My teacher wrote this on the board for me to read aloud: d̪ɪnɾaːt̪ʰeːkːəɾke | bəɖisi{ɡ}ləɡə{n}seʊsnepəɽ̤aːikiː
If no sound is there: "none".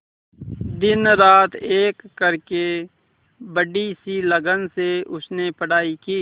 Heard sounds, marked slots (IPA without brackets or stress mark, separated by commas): none, n